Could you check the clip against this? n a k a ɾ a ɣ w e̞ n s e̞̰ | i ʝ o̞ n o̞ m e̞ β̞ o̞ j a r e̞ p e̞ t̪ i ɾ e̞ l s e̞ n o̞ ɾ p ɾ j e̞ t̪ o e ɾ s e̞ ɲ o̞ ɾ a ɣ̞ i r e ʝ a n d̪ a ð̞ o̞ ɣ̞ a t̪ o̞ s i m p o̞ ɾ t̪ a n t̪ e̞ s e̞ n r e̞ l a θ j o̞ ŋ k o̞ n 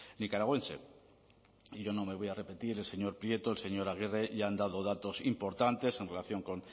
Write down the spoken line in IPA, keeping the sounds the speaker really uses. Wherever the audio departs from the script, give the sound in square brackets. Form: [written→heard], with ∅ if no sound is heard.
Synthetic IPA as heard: n [a→i] k a ɾ a ɣ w e̞ n s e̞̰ | i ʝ o̞ n o̞ m e̞ β̞ o̞ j a r e̞ p e̞ t̪ i ɾ e̞ l s e̞ [n→ɲ] o̞ ɾ p ɾ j e̞ t̪ o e [ɾ→l] s e̞ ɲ o̞ ɾ a ɣ̞ i r e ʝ a n d̪ a ð̞ o̞ [ɣ̞→ð̞] a t̪ o̞ s i m p o̞ ɾ t̪ a n t̪ e̞ s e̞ n r e̞ l a θ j o̞ ŋ k o̞ n